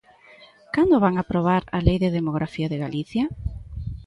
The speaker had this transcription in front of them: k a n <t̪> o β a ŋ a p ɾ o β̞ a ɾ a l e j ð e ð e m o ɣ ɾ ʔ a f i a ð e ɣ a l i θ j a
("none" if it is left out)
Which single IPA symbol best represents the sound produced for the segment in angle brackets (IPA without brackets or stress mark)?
d̪